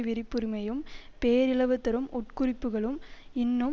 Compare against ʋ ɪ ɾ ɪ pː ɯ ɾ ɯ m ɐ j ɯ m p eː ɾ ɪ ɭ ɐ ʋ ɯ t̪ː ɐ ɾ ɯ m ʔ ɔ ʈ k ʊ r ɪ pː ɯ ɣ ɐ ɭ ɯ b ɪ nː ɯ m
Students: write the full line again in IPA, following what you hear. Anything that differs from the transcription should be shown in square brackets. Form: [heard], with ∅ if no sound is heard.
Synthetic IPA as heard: ʋ ɪ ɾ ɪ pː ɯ ɾ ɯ m ɐ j ɯ m p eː ɾ ɪ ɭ ɐ ʋ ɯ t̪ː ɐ ɾ ɯ m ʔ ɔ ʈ k ʊ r ɪ pː ɯ ɣ ɐ ɭ ɯ [m] ɪ nː ɯ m